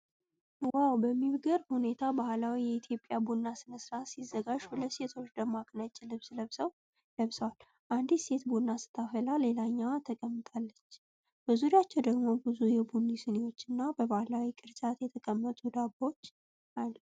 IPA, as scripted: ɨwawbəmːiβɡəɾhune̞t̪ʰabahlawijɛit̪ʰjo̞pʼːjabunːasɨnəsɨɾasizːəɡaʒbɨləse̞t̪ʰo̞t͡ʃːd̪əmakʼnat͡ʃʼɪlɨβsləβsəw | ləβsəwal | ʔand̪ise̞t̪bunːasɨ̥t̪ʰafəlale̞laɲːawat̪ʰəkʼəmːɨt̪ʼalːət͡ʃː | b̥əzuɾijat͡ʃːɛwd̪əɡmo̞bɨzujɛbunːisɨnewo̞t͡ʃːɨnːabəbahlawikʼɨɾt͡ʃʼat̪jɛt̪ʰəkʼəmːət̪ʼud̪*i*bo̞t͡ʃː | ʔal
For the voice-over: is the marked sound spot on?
no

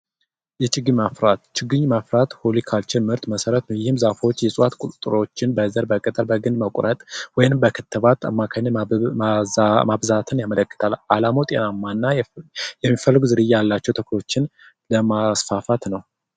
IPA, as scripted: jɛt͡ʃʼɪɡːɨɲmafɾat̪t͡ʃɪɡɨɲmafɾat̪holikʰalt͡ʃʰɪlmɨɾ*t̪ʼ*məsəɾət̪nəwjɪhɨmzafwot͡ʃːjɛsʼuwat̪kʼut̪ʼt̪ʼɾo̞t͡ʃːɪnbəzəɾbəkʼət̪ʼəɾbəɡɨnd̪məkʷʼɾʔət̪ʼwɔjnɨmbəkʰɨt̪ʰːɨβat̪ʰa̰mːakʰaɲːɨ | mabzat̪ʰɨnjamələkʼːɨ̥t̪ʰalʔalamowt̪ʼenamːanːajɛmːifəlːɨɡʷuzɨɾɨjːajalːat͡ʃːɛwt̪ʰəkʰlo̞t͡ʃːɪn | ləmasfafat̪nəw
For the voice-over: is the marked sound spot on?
no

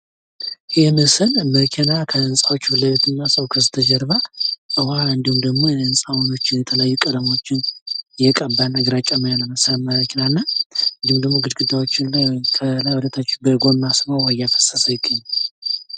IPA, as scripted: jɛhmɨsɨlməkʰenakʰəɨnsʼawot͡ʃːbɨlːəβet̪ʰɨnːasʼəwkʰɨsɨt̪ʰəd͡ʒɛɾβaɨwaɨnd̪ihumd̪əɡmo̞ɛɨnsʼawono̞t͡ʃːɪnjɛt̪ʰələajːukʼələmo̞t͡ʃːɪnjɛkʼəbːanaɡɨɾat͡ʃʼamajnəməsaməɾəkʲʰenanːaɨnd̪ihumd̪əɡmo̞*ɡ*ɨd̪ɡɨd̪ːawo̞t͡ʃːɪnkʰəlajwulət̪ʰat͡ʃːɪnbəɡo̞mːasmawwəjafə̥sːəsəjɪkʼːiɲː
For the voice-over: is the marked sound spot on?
yes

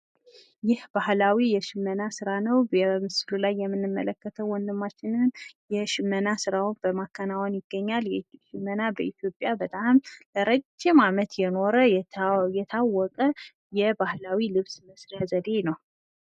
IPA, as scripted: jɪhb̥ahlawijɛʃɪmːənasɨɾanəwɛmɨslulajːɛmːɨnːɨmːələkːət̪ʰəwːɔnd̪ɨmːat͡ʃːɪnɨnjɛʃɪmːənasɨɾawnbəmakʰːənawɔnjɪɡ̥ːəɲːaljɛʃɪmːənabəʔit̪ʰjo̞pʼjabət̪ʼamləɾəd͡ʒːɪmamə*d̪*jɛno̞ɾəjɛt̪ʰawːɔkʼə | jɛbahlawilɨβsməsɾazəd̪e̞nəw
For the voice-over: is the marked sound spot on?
no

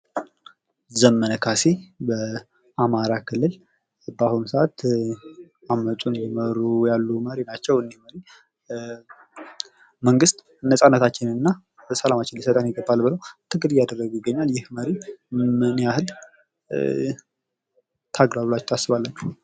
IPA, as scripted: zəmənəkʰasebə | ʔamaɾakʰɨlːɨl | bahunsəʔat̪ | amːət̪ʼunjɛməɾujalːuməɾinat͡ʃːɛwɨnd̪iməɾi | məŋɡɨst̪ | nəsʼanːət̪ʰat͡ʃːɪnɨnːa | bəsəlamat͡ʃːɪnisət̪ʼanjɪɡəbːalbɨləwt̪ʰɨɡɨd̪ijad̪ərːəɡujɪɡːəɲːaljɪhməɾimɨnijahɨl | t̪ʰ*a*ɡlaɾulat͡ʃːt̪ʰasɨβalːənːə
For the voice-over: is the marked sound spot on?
yes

